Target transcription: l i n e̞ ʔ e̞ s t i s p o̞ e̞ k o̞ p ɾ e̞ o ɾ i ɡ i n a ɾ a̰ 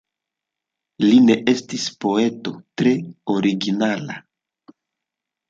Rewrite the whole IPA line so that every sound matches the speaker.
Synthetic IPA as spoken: l i n e̞ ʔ e̞ s t i s p o̞ e̞ t o̞ t ɾ e̞ o ɾ i ɡ i n a l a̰